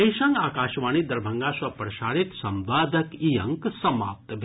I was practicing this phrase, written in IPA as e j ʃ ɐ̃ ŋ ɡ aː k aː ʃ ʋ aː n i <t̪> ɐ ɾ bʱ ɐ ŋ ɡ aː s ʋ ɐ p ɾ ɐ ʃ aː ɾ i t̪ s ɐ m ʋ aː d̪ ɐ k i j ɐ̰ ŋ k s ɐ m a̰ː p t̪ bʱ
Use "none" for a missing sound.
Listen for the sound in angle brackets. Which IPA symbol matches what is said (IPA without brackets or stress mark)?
d̪